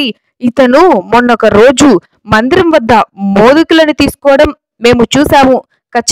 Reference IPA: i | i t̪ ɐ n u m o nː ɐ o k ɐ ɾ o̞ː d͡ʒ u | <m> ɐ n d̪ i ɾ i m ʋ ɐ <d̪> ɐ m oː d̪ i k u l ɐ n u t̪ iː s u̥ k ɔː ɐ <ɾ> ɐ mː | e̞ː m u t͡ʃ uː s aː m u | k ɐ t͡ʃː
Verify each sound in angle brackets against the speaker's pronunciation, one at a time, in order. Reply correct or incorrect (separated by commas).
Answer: correct, incorrect, incorrect